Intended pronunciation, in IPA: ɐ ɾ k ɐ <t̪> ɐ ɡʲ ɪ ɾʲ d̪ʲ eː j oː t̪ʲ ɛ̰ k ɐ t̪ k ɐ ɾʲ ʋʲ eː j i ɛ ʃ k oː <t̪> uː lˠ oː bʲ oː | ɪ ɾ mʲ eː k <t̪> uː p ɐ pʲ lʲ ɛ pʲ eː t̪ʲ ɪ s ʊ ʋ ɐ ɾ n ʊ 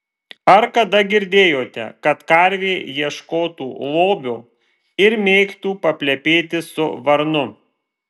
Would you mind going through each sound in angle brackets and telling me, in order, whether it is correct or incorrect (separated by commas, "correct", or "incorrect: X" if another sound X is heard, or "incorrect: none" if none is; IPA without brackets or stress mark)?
incorrect: d̪, correct, correct